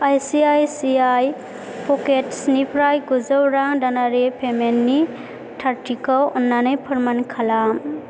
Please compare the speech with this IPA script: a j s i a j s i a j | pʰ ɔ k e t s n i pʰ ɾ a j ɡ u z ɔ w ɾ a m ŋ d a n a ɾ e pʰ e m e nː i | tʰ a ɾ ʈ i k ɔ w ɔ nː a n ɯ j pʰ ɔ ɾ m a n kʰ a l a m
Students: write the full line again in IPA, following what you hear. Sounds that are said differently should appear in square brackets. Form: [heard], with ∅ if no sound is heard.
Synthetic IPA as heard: a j s i a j s i a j | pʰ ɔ k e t s n i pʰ ɾ a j ɡ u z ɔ w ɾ a [∅] ŋ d a n a ɾ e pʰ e m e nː i | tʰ a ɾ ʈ i k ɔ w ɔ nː a n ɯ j pʰ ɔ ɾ m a n kʰ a l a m